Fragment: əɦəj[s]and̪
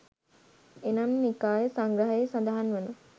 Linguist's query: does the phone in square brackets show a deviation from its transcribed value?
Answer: no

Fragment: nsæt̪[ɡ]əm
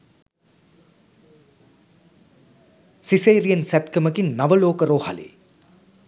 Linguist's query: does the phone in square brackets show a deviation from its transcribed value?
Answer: yes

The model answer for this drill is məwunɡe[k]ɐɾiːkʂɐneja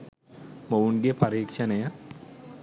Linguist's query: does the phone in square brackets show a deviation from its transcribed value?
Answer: yes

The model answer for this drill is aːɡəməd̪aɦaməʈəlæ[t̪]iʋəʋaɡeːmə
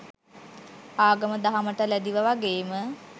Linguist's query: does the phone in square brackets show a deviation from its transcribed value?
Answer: yes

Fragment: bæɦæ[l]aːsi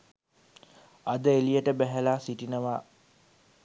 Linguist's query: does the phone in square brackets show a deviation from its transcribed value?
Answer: no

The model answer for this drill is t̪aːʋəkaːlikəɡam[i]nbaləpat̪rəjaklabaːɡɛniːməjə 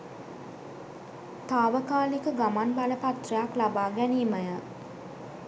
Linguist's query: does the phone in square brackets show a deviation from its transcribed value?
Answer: yes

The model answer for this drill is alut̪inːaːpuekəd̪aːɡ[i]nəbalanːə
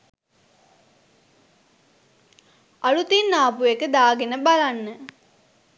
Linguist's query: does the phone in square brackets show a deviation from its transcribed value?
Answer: yes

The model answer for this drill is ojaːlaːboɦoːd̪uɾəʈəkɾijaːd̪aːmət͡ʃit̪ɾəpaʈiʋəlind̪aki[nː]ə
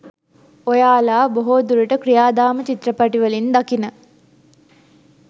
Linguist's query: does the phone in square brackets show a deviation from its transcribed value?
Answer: yes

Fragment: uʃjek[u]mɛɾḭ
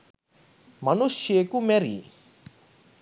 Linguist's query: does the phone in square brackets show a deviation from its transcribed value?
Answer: no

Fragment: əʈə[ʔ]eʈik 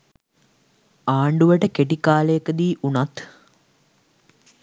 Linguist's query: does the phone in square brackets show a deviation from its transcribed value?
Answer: yes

